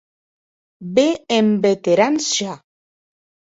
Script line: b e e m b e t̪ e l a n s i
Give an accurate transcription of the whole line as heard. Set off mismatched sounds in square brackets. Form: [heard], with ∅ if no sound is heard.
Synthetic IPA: b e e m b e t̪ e [ɾ] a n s [a]